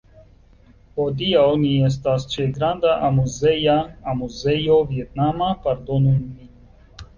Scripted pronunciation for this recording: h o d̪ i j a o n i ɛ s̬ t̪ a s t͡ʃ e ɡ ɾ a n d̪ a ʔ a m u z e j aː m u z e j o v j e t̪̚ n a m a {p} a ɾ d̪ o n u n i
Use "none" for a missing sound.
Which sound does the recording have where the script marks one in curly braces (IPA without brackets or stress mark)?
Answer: p